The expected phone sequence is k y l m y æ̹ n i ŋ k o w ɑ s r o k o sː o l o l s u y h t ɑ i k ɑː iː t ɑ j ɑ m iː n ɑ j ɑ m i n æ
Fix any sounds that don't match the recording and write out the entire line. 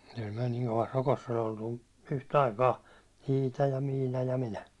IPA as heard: k y l m y æ̹ n i ŋ k o ʋ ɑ s r o k o sː o l o l t u y h t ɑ i k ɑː iː t ɑ j ɑ m iː n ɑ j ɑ m i n æ